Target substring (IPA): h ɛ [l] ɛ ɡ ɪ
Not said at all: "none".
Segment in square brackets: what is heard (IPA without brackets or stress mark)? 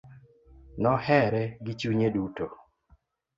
ɾ